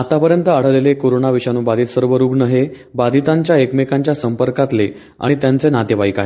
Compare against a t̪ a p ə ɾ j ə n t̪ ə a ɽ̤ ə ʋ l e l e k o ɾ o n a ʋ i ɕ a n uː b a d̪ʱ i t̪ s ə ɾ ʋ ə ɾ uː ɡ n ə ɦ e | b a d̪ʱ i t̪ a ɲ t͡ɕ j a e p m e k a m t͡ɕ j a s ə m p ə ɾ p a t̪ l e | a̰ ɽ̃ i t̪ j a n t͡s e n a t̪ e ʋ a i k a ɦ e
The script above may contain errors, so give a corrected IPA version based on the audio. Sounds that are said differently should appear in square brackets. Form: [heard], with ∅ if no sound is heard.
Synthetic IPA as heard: a t̪ a p ə ɾ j ə n t̪ ə a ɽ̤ ə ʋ l e l e k o ɾ o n a ʋ i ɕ a n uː b a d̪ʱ i t̪ s ə ɾ ʋ ə ɾ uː ɡ n ə ɦ e | b a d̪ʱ i t̪ a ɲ t͡ɕ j a e [k] m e k a [ɲ] t͡ɕ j a s ə m p ə ɾ [k] a t̪ l e | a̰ ɽ̃ i t̪ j a n t͡s e n a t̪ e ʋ a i k a ɦ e